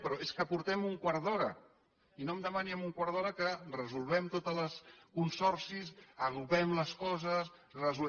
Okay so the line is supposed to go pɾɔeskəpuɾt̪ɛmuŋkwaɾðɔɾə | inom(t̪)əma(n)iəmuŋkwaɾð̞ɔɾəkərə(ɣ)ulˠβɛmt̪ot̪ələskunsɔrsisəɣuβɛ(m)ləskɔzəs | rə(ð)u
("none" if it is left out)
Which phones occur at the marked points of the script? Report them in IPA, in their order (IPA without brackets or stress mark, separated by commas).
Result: d̪, n, z, m, z